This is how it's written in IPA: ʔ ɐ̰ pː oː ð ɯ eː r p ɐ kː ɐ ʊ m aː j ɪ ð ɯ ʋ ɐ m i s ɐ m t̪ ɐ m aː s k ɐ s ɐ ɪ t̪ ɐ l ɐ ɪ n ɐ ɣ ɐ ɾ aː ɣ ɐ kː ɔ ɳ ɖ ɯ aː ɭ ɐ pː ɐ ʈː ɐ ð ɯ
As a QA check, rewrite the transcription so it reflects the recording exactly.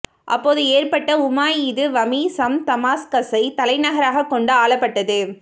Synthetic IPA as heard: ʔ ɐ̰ pː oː ð ɯ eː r p ɐ ʈː ɐ ʊ m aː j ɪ ð ɯ ʋ ɐ m i s ɐ m t̪ ɐ m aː s k ɐ s ɐ ɪ t̪ ɐ l ɐ ɪ n ɐ ɣ ɐ ɾ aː ɣ ɐ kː ɔ ɳ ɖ ɯ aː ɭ ɐ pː ɐ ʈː ɐ ð ɯ